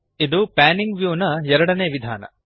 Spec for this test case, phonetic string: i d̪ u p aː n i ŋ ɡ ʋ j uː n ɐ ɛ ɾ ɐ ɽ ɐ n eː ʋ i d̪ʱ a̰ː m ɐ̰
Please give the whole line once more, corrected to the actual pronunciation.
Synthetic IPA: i d̪ u p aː n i ŋ ɡ ʋ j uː n ɐ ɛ ɾ ɐ ɽ ɐ n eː ʋ i d̪ʱ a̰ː n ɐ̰